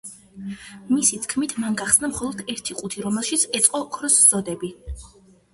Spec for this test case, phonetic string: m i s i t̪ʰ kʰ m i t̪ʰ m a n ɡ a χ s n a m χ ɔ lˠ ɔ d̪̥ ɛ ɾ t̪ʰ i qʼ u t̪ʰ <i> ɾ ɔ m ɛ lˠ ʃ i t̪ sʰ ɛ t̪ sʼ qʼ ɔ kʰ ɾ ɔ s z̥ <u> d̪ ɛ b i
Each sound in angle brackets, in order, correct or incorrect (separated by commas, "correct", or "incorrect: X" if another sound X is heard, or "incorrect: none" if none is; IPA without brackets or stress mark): correct, incorrect: ɔ